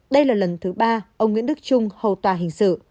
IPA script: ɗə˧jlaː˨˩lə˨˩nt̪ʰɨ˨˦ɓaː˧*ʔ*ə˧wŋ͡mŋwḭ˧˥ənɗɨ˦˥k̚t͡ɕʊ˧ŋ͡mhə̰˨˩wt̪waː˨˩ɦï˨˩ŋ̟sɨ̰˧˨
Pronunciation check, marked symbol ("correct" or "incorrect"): correct